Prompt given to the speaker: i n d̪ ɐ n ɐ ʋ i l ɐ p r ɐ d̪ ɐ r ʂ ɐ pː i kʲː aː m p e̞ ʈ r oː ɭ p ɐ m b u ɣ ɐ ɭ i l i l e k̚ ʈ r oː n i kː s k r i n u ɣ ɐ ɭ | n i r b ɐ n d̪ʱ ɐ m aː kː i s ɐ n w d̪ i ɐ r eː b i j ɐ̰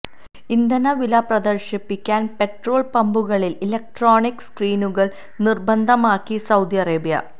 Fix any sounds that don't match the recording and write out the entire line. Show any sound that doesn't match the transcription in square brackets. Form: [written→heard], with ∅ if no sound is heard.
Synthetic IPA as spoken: i n d̪ ɐ n ɐ ʋ i l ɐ p r ɐ d̪ ɐ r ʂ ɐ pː i kʲː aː [m→n] p e̞ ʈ r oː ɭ p ɐ m b u ɣ ɐ ɭ i l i l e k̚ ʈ r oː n i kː s k r [i→iː] n u ɣ ɐ ɭ | n i r b ɐ n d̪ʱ ɐ m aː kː i s ɐ [n→∅] w d̪ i ɐ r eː b i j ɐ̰